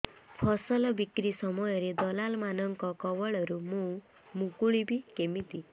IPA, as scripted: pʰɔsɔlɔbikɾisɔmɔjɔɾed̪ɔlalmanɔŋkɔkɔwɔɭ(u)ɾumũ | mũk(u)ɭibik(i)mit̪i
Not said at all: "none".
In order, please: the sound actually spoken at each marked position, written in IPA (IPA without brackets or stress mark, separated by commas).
ɔ, u, e